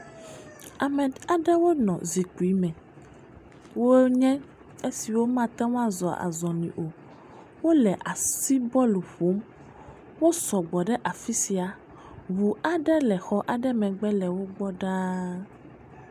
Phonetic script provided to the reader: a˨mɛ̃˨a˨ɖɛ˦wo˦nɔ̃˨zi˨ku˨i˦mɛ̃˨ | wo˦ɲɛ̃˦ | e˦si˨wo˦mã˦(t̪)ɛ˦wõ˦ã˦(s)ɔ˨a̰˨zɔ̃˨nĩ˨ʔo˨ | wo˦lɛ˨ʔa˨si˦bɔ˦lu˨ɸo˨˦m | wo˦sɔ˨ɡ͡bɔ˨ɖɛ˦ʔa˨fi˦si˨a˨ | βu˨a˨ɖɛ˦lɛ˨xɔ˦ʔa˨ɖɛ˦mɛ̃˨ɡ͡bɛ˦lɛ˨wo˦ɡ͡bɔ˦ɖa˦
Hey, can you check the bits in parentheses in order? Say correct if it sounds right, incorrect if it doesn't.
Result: correct, incorrect: z

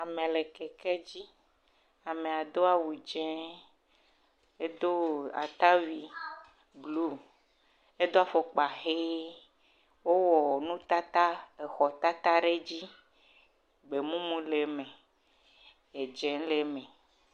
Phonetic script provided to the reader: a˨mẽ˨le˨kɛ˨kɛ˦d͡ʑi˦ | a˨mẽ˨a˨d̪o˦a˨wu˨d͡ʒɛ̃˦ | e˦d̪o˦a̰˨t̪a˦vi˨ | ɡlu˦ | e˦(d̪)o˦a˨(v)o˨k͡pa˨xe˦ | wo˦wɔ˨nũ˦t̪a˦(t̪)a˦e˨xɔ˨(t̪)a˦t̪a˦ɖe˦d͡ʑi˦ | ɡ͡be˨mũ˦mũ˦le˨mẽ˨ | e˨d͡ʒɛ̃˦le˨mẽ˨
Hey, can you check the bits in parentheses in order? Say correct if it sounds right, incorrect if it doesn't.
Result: correct, incorrect: f, correct, correct

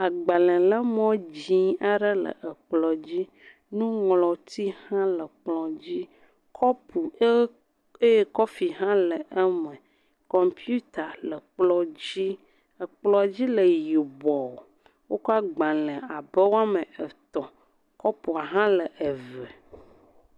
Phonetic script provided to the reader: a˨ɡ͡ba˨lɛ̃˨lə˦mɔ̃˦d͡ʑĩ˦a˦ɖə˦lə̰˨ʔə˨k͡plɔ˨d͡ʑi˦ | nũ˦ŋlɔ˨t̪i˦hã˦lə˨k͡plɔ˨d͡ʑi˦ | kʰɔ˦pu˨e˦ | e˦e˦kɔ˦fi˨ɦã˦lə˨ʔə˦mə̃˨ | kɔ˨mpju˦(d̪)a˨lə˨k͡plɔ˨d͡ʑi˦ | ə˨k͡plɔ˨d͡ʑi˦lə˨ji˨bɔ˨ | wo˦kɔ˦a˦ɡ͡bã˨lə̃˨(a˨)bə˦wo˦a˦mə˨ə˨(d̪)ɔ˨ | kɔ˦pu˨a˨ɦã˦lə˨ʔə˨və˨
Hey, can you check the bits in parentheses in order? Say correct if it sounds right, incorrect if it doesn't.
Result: incorrect: t̪, correct, incorrect: t̪

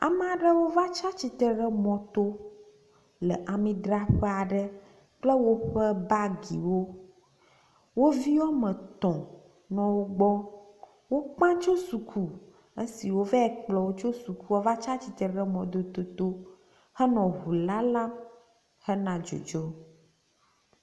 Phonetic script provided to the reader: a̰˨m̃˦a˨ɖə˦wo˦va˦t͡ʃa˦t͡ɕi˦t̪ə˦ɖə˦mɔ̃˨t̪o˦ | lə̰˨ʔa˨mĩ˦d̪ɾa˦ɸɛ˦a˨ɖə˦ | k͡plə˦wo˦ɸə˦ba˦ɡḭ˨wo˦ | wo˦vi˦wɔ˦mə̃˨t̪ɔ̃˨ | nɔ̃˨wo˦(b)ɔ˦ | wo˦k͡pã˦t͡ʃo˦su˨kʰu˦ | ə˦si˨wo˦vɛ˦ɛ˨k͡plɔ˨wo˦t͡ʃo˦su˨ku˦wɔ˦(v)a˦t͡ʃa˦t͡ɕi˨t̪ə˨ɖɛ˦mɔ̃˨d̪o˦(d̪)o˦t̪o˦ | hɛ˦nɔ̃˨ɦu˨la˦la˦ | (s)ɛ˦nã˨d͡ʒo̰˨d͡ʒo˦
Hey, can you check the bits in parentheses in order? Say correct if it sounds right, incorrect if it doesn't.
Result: incorrect: ɡ͡b, correct, incorrect: t̪, incorrect: h

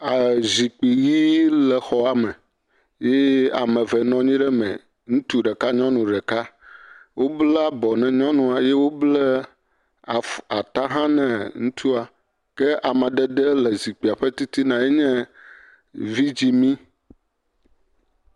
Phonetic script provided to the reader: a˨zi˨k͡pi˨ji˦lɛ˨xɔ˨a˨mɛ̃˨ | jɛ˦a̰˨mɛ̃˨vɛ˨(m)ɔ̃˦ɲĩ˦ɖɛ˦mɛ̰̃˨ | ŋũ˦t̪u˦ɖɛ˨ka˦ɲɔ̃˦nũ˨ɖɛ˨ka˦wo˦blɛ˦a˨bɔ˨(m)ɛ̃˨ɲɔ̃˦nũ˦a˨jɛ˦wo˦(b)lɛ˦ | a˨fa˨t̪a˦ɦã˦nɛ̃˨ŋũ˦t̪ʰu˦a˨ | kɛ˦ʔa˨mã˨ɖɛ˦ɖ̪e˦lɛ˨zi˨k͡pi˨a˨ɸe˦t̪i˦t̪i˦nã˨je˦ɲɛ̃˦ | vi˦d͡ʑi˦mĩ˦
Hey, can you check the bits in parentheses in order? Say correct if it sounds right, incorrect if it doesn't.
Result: incorrect: n, incorrect: n, correct

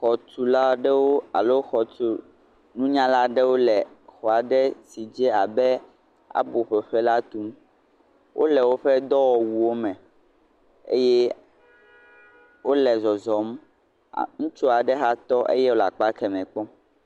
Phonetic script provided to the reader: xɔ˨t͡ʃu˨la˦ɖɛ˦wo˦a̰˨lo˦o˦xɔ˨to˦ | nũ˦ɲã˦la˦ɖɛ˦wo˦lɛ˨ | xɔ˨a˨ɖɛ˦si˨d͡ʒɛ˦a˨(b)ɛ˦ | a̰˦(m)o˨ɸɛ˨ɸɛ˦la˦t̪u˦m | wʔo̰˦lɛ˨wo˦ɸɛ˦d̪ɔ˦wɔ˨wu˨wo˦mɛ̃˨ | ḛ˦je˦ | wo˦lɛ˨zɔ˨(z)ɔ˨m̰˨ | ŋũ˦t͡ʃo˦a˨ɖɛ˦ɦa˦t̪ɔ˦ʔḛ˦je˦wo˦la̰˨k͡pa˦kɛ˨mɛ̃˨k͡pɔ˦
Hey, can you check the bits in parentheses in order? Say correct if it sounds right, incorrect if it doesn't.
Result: correct, incorrect: b, correct

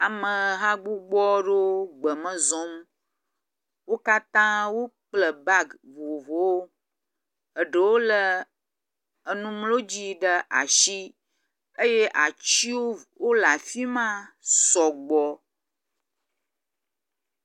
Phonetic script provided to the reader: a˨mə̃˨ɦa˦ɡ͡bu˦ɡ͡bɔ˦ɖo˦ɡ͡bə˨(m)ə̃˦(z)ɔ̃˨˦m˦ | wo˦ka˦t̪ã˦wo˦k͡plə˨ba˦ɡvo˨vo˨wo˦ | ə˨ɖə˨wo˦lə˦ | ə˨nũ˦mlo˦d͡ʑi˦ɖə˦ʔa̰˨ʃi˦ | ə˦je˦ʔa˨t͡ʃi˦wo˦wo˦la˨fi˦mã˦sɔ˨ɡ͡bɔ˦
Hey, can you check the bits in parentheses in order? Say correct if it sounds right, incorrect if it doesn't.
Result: correct, correct

